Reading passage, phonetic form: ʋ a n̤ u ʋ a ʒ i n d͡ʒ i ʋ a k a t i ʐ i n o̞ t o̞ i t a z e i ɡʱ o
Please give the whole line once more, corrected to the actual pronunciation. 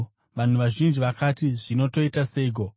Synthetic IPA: ʋ a n̤ u ʋ a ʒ i n d͡ʒ i ʋ a k a t i ʐ i n o̞ t o̞ i t a s e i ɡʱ o